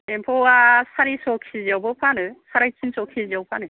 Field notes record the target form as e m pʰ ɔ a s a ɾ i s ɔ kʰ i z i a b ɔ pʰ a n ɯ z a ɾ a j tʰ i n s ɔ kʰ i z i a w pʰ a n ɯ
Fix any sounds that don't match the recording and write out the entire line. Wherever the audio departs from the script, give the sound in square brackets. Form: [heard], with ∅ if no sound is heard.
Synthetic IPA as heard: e m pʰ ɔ a s a ɾ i s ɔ kʰ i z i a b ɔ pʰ a n ɯ [s] a ɾ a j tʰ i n s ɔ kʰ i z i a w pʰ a n ɯ